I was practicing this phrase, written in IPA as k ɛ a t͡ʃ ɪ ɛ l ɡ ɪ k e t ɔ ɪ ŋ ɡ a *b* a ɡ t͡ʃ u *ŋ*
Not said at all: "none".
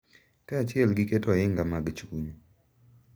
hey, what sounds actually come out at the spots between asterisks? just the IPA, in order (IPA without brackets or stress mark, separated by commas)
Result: m, ɲ